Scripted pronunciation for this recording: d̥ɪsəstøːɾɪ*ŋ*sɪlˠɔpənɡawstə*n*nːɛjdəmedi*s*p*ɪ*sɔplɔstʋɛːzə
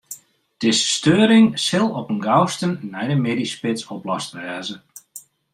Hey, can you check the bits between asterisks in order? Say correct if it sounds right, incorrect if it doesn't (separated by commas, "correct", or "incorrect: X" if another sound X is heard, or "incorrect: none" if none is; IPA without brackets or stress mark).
correct, correct, correct, correct